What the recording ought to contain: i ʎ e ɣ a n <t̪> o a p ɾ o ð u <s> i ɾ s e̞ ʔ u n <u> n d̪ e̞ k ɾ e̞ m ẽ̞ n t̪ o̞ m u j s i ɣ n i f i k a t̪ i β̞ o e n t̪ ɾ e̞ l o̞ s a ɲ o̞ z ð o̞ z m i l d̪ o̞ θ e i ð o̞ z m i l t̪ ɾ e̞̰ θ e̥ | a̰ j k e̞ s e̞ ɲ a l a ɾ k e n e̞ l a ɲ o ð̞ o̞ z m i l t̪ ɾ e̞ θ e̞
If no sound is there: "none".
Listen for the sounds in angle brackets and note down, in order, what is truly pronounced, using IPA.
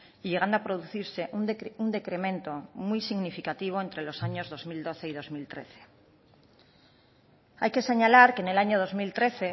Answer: d̪, θ, u

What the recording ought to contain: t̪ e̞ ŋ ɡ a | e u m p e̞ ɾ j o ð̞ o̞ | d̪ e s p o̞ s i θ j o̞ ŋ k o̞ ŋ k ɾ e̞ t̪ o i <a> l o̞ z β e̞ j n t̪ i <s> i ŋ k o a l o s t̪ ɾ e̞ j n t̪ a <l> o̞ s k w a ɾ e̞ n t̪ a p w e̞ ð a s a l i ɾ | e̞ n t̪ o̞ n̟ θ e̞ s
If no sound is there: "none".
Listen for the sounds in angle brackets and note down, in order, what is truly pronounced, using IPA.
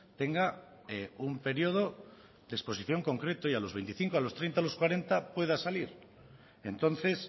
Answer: a, θ, l

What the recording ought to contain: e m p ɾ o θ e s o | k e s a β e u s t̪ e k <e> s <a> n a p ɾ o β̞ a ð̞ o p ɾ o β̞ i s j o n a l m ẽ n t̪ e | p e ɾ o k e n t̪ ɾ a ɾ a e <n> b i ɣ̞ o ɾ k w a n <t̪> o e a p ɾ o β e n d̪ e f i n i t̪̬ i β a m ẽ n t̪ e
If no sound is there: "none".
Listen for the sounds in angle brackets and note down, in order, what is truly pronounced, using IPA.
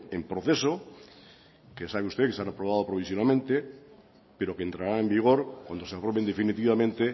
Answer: e, a, m, d̪

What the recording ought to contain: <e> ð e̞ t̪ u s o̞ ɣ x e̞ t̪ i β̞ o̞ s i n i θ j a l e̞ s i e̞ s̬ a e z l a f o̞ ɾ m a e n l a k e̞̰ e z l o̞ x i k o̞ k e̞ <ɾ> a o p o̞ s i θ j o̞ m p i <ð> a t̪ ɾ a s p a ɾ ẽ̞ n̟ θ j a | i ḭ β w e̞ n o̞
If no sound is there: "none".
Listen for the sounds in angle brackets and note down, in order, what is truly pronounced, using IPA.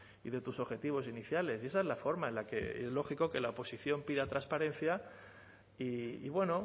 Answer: i, l, ð

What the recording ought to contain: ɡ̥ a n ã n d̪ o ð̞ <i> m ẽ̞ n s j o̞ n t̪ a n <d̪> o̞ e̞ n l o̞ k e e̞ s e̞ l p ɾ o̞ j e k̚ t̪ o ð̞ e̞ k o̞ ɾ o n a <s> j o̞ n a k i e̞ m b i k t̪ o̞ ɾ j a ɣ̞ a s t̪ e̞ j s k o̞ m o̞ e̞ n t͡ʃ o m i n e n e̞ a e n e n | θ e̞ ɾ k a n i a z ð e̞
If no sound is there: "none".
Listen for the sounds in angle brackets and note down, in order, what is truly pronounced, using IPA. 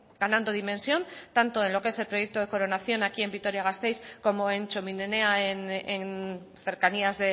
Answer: i, t̪, θ

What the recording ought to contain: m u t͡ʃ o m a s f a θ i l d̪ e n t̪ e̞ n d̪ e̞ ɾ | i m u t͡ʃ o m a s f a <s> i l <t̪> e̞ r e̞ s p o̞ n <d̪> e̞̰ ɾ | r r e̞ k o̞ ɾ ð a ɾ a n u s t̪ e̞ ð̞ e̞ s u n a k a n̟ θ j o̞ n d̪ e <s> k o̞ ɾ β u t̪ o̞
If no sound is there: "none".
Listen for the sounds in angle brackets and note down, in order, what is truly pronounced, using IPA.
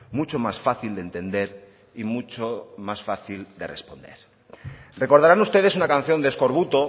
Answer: θ, d̪, d̪, s

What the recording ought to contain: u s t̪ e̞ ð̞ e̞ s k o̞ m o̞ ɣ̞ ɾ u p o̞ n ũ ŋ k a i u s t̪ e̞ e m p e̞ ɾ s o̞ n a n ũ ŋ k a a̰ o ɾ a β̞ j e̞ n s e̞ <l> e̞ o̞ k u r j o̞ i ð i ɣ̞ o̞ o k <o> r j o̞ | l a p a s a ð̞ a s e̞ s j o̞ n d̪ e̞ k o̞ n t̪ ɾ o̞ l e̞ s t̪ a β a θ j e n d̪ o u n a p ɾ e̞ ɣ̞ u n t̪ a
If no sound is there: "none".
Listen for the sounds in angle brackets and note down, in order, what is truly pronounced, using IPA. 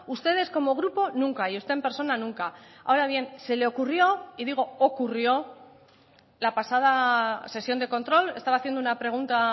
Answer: l, u

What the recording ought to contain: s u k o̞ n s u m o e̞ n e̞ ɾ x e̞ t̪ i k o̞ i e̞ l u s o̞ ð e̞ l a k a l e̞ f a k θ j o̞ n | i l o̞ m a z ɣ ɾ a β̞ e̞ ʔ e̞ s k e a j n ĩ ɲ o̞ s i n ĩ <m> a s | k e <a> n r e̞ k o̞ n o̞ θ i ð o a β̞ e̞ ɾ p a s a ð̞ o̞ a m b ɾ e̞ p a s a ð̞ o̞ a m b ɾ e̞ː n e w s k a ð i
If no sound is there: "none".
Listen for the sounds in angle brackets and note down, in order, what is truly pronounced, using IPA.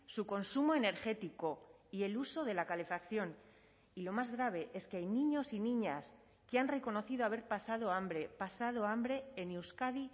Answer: ɲ, a

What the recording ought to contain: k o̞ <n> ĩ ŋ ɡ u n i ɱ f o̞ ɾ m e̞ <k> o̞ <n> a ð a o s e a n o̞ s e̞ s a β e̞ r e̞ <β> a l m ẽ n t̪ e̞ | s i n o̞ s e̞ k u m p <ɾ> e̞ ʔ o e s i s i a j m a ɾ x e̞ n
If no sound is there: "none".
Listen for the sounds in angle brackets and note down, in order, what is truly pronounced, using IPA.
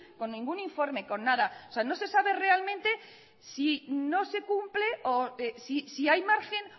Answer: nː, k, nː, none, l

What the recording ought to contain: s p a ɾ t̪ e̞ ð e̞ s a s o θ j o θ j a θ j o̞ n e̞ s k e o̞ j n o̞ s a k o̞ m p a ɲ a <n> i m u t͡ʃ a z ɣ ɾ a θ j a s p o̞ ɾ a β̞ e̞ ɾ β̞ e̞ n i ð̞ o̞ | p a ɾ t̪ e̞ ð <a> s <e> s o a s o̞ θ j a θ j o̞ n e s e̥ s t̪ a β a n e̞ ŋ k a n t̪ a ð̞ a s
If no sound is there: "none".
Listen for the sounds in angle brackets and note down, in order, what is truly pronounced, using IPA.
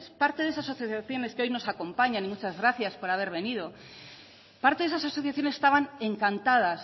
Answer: n, e, a

